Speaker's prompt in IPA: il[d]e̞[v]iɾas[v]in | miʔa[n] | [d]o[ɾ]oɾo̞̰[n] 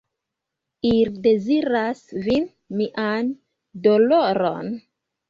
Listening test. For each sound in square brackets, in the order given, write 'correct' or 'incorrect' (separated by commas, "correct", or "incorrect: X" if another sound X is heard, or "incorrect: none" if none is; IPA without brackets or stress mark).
correct, incorrect: z, correct, correct, correct, incorrect: l, correct